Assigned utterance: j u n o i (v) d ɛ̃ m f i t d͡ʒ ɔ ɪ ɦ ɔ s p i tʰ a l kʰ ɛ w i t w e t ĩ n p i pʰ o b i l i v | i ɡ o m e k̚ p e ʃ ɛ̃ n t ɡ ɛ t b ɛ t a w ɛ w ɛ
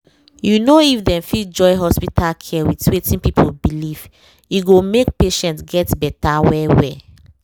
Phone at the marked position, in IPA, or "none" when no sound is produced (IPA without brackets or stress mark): f